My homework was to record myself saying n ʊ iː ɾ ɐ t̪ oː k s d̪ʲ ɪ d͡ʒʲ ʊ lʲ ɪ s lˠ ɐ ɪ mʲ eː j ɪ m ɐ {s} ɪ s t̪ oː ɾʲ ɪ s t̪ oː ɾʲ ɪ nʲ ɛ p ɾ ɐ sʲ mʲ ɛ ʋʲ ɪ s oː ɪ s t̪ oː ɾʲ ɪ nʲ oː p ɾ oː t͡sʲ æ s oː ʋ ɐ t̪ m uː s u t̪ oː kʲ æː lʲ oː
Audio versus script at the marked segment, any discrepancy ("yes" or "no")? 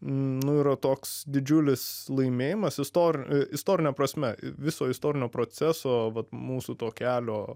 no